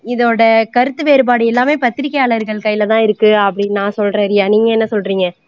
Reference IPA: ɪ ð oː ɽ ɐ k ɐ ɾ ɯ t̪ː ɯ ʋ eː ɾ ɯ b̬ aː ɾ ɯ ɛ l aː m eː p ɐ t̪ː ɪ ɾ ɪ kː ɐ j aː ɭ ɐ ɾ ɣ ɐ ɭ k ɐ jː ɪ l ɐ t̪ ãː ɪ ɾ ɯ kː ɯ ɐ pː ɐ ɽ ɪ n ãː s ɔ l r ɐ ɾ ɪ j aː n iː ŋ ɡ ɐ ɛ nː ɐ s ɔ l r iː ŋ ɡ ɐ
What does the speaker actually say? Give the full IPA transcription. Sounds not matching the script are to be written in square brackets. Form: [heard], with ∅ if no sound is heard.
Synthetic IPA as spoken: ɪ ð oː ɽ ɐ k ɐ ɾ ɯ t̪ː ɯ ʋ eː ɾ ɯ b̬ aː [ɽ] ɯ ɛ [lː] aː m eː p ɐ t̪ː ɪ ɾ ɪ kː ɐ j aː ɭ ɐ ɾ ɣ ɐ ɭ k ɐ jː ɪ l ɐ t̪ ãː ɪ ɾ ɯ kː ɯ ɐ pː ɐ ɽ ɪ n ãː s ɔ l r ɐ ɾ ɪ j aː n iː ŋ ɡ ɐ ɛ nː ɐ s ɔ l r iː ŋ ɡ ɐ

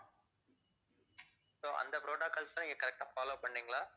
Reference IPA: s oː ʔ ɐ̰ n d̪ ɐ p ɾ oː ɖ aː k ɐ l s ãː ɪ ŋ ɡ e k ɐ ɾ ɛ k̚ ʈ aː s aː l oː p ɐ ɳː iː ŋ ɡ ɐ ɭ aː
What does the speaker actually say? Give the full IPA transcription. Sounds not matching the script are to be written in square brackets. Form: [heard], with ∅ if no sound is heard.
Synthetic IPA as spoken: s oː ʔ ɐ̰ n d̪ ɐ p ɾ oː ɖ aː k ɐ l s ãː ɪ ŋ ɡ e k ɐ ɾ ɛ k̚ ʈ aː [f] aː l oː p ɐ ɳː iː ŋ ɡ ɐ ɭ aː

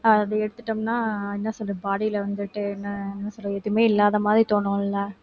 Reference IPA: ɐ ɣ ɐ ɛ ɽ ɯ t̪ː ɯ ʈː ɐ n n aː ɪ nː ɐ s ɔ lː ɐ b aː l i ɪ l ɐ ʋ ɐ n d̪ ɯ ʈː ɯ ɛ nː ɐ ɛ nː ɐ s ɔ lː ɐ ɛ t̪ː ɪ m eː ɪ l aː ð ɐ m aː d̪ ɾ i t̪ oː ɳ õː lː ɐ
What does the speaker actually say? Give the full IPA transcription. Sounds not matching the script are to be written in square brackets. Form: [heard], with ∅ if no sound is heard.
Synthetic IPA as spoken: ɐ [ð] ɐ ɛ ɽ ɯ t̪ː ɯ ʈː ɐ [m] n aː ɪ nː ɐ s ɔ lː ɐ b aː [ɽ] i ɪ l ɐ ʋ ɐ n d̪ ɯ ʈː ɯ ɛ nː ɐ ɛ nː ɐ s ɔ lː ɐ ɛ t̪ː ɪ m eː ɪ [lː] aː ð ɐ m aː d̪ ɾ i t̪ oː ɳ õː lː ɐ

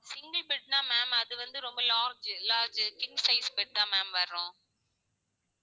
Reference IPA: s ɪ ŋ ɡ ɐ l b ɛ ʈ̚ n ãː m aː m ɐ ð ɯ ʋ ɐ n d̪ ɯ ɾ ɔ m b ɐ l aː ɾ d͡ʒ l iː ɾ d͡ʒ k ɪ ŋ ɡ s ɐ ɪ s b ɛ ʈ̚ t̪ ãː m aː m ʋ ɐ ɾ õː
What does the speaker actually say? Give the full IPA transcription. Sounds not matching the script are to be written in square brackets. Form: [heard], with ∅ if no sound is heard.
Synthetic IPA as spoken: s ɪ ŋ ɡ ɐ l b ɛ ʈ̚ n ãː m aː m ɐ ð ɯ ʋ ɐ n d̪ ɯ ɾ ɔ m b ɐ l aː ɾ d͡ʒ l [aː] ɾ d͡ʒ k ɪ ŋ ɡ s ɐ ɪ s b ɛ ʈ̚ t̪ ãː m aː m ʋ ɐ ɾ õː

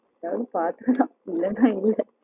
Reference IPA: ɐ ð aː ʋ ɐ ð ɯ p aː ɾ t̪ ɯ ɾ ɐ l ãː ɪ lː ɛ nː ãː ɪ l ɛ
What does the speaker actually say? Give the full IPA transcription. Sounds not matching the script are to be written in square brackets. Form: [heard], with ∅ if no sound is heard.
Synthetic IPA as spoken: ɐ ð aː ʋ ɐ ð ɯ p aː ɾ t̪ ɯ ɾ ɐ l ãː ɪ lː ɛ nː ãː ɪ [lː] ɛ

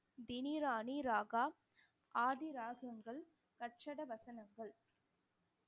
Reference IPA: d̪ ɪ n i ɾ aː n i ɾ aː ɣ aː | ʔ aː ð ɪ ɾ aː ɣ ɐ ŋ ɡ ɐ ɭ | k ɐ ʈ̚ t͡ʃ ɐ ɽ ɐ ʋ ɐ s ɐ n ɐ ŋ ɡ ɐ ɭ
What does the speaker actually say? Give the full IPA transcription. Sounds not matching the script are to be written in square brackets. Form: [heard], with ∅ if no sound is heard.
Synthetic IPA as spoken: d̪ ɪ n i ɾ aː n i ɾ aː ɣ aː | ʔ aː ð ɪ ɾ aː ɣ ɐ ŋ ɡ ɐ ɭ | k ɐ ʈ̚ t͡ʃ ɐ ɽ ɐ ʋ ɐ s ɐ n ɐ ŋ ɡ ɐ ɭ

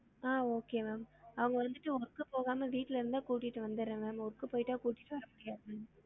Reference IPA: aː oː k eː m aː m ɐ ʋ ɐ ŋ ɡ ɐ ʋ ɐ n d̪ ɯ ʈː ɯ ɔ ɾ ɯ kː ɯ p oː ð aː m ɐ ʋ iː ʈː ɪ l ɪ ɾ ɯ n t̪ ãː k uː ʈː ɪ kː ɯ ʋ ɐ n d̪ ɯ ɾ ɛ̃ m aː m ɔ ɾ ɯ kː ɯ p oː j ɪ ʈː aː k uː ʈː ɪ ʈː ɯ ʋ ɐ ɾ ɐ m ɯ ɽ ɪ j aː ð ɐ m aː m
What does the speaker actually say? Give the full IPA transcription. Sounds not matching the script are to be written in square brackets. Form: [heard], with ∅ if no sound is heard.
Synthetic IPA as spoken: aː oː k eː m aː m ɐ ʋ ɐ ŋ ɡ ɐ ʋ ɐ n d̪ ɯ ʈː ɯ ɔ ɾ ɯ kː ɯ p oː [ɣ] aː m ɐ ʋ iː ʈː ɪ l ɪ ɾ ɯ n [d̪] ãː k uː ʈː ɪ [ʈː] ɯ ʋ ɐ n d̪ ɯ ɾ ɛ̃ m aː m ɔ ɾ ɯ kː ɯ p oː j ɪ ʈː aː k uː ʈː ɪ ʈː ɯ ʋ ɐ ɾ ɐ m [ʊ] ɽ ɪ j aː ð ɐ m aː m

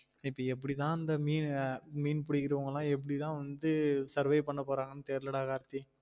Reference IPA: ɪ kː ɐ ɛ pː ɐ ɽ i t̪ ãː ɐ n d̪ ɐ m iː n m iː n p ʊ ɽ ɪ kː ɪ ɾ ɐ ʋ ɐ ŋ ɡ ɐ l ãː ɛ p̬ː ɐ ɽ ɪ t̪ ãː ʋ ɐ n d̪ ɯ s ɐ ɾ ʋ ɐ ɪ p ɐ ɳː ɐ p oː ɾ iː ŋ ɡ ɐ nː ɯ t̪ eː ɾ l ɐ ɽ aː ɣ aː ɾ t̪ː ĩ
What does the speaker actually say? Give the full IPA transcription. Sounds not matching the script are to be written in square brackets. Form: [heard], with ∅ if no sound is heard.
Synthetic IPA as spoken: ɪ [pː] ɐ ɛ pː ɐ ɽ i t̪ ãː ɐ n d̪ ɐ m iː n m iː n p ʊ ɽ ɪ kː ɪ ɾ ɐ ʋ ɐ ŋ ɡ ɐ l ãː ɛ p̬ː ɐ ɽ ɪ t̪ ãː ʋ ɐ n d̪ ɯ s ɐ ɾ ʋ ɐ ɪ p ɐ ɳː ɐ p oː ɾ [aː] ŋ ɡ ɐ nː ɯ t̪ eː ɾ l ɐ ɽ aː ɣ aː ɾ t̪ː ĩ

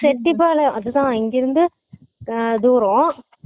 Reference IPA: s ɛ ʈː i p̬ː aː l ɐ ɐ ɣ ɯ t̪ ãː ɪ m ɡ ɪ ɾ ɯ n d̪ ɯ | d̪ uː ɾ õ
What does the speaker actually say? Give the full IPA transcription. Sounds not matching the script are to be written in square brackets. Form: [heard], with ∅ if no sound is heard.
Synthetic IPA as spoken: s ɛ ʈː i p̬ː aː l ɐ ɐ [ð] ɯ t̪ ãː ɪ [ŋ] ɡ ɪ ɾ ɯ n d̪ ɯ | d̪ uː ɾ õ

